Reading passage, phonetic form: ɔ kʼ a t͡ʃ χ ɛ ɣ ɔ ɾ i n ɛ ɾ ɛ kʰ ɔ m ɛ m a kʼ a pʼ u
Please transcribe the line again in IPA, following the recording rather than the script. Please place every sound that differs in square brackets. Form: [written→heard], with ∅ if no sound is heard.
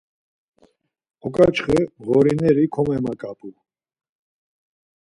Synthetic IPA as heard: ɔ kʼ a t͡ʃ χ ɛ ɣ ɔ ɾ i n ɛ ɾ [ɛ→i] kʰ ɔ m ɛ m a kʼ a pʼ u